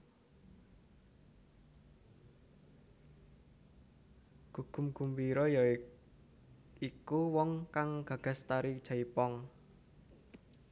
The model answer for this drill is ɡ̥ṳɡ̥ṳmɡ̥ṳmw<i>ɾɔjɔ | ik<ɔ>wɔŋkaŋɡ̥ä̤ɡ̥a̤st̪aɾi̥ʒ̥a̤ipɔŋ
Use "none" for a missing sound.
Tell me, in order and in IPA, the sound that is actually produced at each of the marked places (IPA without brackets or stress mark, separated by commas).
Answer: i, u